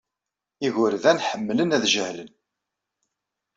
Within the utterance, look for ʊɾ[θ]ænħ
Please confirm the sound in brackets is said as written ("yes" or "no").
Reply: no